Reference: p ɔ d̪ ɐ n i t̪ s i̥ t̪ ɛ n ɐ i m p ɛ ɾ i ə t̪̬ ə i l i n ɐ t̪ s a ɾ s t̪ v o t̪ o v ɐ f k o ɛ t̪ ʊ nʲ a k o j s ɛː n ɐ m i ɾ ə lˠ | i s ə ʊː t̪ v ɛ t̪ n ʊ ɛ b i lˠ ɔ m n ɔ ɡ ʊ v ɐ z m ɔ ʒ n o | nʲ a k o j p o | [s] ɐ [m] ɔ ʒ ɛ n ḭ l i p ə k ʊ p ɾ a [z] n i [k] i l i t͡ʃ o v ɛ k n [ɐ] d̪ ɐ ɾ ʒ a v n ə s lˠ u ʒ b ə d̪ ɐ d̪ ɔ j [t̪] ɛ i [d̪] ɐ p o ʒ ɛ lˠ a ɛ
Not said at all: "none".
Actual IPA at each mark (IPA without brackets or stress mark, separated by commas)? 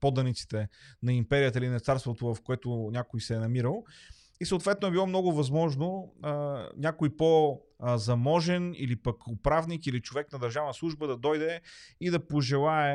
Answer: z, m, v, k, ɐ, d̪, d̪